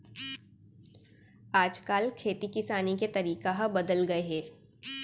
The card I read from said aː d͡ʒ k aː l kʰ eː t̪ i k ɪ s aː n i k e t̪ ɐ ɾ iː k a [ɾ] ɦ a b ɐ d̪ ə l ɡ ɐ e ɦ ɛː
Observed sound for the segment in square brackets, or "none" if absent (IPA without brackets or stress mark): none